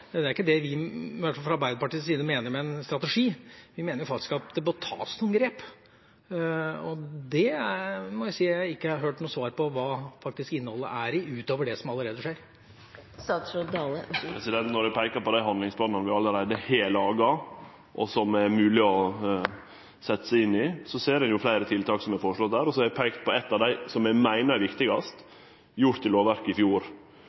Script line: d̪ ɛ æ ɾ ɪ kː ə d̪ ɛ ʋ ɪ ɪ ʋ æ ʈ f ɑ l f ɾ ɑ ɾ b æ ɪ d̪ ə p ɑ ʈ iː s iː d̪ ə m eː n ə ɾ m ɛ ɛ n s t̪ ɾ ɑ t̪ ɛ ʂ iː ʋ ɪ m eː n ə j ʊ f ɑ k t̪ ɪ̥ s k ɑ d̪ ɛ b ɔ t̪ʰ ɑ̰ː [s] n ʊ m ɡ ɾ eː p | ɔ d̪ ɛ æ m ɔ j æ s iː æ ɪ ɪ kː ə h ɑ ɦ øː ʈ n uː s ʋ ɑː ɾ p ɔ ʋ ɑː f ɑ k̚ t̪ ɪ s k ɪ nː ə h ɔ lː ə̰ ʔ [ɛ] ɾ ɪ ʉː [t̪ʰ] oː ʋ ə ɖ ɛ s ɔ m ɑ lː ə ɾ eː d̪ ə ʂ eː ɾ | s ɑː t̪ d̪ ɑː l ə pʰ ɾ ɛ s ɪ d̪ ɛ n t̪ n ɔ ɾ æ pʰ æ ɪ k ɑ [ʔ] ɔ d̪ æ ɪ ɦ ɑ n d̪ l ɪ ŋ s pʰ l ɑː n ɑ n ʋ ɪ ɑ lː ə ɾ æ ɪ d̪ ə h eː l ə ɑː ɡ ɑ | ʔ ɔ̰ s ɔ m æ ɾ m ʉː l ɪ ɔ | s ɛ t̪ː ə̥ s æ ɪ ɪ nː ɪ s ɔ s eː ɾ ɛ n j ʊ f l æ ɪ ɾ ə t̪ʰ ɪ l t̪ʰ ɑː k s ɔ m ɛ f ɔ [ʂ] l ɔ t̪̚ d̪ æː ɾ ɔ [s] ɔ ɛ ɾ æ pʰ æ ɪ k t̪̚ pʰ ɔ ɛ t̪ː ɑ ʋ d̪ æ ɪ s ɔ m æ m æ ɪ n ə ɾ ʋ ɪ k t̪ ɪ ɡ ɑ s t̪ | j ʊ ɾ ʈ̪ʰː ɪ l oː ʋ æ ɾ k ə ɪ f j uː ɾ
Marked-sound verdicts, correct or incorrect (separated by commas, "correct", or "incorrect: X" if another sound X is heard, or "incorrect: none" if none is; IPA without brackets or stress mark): correct, incorrect: æ, incorrect: t̪, incorrect: p, correct, correct